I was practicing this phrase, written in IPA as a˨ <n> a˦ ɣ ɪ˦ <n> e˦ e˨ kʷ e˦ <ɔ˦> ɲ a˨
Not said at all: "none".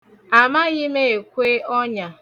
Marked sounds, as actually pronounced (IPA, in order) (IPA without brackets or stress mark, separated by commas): m, m, ɔ˦